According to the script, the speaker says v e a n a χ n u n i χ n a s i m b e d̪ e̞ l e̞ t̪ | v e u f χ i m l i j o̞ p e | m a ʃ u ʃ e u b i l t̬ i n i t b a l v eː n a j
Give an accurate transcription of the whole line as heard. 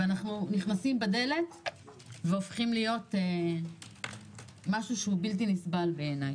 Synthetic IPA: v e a n a χ n u n i χ n a s i m b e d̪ e̞ l e̞ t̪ | v e o f χ i m l i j o̞ t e | m a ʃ u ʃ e u b i l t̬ i n i s b a l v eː n a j